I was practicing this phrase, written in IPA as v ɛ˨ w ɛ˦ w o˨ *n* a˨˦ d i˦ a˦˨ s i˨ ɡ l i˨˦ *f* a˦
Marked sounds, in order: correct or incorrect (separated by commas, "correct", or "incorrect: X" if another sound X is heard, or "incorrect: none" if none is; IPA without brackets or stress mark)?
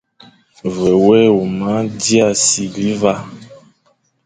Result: incorrect: m, incorrect: v